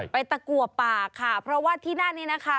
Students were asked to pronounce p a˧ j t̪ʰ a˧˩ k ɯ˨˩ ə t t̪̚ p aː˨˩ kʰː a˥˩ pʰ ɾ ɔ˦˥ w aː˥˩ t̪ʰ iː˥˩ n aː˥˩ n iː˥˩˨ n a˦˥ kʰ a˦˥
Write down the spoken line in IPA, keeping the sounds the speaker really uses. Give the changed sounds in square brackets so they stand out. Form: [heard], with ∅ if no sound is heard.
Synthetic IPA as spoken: p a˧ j [t̪] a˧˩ k [u˨˩] ə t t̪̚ p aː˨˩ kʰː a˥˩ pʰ ɾ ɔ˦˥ w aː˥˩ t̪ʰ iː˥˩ n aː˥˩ n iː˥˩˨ n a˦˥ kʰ a˦˥

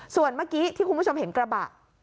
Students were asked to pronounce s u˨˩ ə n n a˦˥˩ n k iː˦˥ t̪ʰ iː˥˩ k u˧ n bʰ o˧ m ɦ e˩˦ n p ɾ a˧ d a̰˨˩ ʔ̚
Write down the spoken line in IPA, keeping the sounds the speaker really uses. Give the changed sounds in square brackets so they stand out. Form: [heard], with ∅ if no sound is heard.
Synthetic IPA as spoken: s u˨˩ ə n [m] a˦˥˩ [∅] k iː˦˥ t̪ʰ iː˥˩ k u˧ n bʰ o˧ m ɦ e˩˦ n [k] ɾ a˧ [b] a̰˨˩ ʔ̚

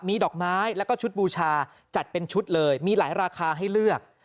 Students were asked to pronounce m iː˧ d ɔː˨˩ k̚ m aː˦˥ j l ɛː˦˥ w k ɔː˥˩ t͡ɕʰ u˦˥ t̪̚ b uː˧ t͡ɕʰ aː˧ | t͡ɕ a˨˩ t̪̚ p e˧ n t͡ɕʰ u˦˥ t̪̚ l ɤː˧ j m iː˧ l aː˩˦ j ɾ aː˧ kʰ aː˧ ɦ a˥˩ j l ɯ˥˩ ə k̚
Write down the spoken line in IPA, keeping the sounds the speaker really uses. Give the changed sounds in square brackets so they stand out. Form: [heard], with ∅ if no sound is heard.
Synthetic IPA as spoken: m iː˧ d ɔː˨˩ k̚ m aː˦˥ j l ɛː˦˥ w k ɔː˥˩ t͡ɕʰ u˦˥ t̪̚ b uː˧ t͡ɕʰ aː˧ | t͡ɕ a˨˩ t̪̚ p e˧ n t͡ɕʰ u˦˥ t̪̚ l ɤː˧ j m iː˧ l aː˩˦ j ɾ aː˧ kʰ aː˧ ɦ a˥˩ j l ɯ˥˩ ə k̚

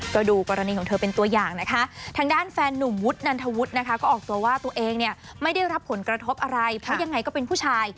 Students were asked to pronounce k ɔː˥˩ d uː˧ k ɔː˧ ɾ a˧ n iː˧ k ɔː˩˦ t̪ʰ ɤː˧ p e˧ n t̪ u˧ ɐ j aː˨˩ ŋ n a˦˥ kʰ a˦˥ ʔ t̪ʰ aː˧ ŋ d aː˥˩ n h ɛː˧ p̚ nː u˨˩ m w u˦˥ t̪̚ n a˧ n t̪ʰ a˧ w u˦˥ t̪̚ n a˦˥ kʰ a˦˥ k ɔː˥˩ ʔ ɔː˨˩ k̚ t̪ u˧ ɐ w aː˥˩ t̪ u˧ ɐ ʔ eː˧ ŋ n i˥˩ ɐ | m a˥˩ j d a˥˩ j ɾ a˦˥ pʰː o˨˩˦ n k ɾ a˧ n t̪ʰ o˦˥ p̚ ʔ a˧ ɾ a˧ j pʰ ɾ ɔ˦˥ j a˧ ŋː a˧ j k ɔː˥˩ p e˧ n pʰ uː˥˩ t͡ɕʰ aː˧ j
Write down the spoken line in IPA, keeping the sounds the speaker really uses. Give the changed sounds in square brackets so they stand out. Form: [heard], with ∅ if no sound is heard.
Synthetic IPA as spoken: k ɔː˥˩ d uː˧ k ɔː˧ ɾ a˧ n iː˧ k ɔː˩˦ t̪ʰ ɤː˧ p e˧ n t̪ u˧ ɐ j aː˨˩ ŋ n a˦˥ kʰ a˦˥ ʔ t̪ʰ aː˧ ŋ d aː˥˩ n [f] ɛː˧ [∅] nː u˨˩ m w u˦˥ t̪̚ n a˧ n t̪ʰ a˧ w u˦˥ t̪̚ n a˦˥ kʰ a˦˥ k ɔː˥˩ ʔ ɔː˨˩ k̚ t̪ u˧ ɐ w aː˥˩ t̪ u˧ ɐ ʔ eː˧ ŋ n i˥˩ ɐ | m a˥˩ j d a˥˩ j ɾ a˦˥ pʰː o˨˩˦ n k ɾ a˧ [∅] t̪ʰ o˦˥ p̚ ʔ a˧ ɾ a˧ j pʰ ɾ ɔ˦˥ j a˧ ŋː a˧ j k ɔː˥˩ p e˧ n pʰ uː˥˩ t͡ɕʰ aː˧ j

